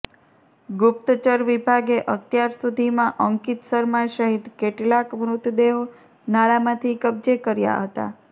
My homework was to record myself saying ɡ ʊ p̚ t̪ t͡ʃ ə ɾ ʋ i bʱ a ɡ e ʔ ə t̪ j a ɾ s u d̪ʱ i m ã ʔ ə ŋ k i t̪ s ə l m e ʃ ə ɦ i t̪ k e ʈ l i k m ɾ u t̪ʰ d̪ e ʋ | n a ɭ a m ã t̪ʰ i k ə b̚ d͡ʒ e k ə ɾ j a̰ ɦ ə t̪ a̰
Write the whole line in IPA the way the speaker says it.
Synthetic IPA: ɡ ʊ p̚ t̪ t͡ʃ ə ɾ ʋ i bʱ a ɡ e ʔ ə t̪ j a ɾ s u d̪ʱ i m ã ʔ ə ŋ k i t̪ s ə ɾ m a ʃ ə ɦ i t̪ k e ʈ l a k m ɾ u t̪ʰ d̪ e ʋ | n a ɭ a m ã t̪ʰ i k ə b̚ d͡ʒ e k ə ɾ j a̰ ɦ ə t̪ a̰